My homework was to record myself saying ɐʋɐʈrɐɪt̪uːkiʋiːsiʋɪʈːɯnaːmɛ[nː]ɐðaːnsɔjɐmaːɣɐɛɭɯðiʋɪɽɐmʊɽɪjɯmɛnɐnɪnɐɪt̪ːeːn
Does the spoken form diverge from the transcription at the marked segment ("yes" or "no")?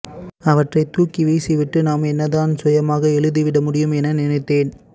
no